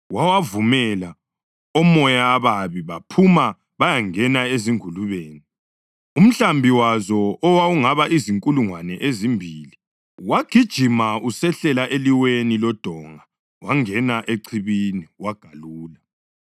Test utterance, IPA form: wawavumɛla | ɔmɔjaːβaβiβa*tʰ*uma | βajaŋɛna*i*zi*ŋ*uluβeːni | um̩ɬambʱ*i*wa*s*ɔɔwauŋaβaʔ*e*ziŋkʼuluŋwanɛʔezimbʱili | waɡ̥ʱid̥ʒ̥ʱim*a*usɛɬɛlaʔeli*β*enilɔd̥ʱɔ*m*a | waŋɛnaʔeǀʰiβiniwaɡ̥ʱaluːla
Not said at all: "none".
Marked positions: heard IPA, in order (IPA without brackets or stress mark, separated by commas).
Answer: pʰ, e, ŋ, i, z, i, a, w, ŋ